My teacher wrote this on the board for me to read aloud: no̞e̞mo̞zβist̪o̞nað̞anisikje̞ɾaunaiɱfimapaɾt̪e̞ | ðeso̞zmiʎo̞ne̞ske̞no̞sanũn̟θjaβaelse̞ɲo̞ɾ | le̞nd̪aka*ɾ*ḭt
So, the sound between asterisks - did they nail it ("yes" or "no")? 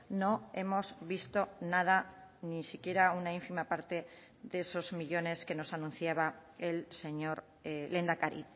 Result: yes